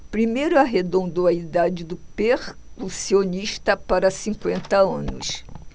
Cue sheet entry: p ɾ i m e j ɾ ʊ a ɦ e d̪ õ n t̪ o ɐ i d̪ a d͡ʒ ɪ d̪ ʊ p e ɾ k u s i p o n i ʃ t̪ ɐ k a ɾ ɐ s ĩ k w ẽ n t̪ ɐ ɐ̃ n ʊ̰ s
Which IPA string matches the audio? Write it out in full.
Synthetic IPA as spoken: p ɾ i m e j ɾ ʊ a ɦ e d̪ õ n d̪ o ɐ i d̪ a d͡ʒ ɪ d̪ ʊ p e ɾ k u s i o n i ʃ t̪ ɐ p a ɾ ɐ s ĩ k w ẽ n t̪ ɐ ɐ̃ n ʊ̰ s